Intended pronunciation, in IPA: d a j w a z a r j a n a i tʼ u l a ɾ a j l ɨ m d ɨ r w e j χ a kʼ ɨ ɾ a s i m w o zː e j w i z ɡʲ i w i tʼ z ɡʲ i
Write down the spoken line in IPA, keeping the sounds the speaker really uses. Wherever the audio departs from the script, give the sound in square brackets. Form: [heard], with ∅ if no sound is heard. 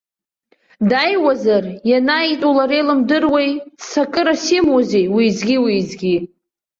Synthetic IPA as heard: d a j w a z a r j a n a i tʼ u l a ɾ [e] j l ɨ m d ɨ r w e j [s] a kʼ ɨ ɾ a s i m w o [z] e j w i z ɡʲ i w i [∅] z ɡʲ i